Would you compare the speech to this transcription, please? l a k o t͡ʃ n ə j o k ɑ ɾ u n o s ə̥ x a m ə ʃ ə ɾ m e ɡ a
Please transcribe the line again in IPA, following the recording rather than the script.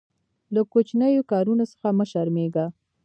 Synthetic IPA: l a k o t͡ʃ n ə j o k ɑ ɾ u n o s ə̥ x a m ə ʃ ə ɾ m e ɡ a